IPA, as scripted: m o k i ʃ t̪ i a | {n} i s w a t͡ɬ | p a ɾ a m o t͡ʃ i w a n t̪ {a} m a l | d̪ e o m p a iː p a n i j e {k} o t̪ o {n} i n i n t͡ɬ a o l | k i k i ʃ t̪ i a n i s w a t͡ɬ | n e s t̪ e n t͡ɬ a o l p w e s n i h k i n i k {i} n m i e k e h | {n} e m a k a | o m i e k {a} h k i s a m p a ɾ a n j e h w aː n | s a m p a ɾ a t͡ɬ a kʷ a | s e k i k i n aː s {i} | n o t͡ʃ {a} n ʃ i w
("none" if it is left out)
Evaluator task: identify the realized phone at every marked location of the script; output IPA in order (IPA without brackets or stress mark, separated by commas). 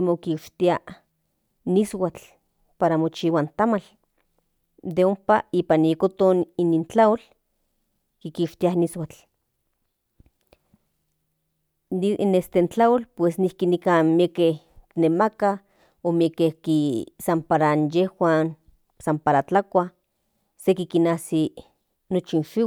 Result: n, a, k, n, a, n, e, i, i